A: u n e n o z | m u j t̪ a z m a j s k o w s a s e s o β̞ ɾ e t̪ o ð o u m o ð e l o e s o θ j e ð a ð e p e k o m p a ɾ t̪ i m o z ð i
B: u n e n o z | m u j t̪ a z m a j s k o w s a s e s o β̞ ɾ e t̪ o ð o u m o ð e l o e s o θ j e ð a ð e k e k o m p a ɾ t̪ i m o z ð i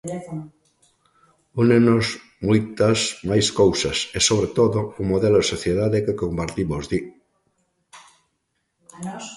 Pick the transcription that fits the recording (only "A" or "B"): B